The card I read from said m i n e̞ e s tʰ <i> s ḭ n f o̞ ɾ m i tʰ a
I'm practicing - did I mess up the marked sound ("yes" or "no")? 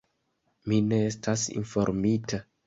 yes